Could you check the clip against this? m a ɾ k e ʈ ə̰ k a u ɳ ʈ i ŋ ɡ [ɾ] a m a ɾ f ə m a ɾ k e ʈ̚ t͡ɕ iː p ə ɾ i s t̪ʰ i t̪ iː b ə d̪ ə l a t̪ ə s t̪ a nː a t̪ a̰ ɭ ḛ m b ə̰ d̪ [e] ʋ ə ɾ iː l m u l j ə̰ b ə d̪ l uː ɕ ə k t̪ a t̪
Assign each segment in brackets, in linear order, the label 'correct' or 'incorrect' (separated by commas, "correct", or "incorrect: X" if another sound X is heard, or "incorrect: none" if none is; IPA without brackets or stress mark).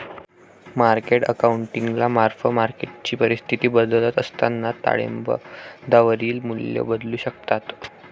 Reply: incorrect: l, incorrect: a